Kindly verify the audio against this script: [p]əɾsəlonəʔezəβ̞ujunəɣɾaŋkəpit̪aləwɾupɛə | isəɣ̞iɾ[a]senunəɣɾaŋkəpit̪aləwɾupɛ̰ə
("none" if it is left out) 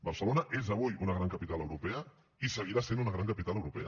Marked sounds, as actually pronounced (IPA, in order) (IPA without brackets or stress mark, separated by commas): b, a